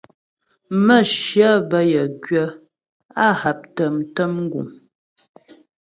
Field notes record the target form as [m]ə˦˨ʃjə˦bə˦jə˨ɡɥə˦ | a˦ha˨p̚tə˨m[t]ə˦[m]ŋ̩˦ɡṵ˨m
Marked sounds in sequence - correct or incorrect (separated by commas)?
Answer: correct, correct, correct